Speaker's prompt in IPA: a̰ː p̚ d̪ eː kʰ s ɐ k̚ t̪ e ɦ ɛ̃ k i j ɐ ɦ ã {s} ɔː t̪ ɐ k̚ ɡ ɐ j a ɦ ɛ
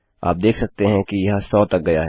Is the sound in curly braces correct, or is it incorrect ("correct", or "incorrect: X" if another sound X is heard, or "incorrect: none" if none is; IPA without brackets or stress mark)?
correct